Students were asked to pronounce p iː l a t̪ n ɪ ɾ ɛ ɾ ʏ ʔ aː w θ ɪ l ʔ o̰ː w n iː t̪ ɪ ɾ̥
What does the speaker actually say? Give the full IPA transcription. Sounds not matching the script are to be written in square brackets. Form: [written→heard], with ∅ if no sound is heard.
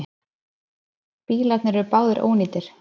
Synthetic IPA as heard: p iː l a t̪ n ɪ ɾ ɛ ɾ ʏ [ʔ→p] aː w [θ→ð] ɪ [l→ɾ] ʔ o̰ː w n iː t̪ ɪ ɾ̥